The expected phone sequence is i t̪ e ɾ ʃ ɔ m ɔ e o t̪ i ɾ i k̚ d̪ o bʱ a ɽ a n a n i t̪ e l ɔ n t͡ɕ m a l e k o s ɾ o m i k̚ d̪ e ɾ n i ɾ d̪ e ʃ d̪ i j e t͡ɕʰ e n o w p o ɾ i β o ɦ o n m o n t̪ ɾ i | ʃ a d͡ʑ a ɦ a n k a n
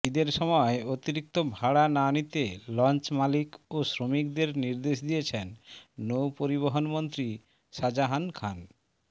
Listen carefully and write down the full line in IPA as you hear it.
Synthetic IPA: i d̪ e ɾ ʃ ɔ m ɔ e o t̪ i ɾ i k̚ t̪ o bʱ a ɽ a n a n i t̪ e l ɔ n t͡ɕ m a l i k o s ɾ o m i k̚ d̪ e ɾ n i ɾ d̪ e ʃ d̪ i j e t͡ɕʰ e nː o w p o ɾ i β o ɦ o n m o n t̪ ɾ i | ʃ a d͡ʑ a ɦ a n kʰ a n